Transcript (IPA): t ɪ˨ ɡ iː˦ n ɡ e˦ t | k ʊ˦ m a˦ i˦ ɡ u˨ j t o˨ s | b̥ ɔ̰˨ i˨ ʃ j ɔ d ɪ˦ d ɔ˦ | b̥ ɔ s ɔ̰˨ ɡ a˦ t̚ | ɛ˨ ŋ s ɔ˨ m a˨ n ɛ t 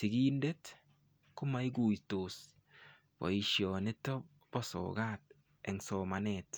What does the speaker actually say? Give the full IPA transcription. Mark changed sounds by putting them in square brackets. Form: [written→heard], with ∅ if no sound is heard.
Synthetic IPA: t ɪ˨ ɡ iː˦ n [ɡ→d] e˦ t | k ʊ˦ m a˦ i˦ ɡ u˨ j t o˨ s | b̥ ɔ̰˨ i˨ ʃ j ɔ [d→n] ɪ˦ [d→t] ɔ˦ | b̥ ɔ s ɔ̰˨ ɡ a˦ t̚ | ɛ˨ ŋ s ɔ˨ m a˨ n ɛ t

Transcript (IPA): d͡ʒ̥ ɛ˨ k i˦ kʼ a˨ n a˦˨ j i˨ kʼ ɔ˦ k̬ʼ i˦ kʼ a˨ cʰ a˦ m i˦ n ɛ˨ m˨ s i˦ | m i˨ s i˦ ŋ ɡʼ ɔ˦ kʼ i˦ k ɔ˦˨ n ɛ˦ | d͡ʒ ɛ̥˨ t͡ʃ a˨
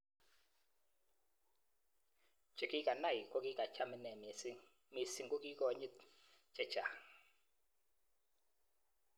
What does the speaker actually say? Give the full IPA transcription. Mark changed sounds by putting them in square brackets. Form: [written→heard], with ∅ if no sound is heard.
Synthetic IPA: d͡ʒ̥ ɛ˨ k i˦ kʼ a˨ n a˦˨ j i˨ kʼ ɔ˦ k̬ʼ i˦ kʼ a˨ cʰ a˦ m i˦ n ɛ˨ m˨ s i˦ | m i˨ s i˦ ŋ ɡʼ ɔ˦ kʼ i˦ k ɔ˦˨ [n→ɲ] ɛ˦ | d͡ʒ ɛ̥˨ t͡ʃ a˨

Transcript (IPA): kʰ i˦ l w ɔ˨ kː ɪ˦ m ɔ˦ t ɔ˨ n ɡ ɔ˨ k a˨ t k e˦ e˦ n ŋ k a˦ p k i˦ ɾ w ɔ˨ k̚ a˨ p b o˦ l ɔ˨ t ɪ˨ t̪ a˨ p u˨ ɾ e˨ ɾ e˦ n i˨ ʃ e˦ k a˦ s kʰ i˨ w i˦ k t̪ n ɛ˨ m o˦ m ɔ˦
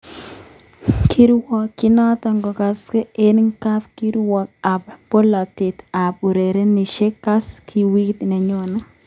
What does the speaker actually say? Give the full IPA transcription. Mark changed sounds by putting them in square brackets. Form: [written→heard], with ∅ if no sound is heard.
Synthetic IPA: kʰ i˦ [l→ɾ] w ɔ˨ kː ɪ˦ [m→n] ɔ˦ t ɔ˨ [n→ŋ] ɡ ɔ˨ k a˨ [t→s] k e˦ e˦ n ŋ k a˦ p k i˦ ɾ w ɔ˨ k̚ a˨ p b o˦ l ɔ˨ t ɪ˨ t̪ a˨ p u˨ ɾ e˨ ɾ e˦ n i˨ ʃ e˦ k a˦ s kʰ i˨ w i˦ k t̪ n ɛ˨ [m→ɲ] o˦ [m→n] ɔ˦

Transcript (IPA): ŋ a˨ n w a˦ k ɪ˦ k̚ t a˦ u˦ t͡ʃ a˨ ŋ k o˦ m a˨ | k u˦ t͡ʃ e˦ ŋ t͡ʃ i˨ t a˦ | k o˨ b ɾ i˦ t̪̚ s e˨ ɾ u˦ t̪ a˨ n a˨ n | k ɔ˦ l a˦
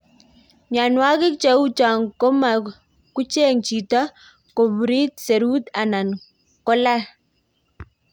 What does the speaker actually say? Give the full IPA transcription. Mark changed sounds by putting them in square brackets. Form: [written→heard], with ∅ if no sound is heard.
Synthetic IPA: [ŋ→ɲ] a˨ n w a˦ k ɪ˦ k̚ [t→t͡ʃ] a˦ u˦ t͡ʃ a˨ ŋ k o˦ m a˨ | k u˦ t͡ʃ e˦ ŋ t͡ʃ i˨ t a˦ | k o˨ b ɾ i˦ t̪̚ s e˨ ɾ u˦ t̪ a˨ n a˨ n | k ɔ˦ l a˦

